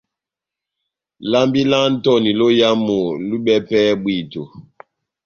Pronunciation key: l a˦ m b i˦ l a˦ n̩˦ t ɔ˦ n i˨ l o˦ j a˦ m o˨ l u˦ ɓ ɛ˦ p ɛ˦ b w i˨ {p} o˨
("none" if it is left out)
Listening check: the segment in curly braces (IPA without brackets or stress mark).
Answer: t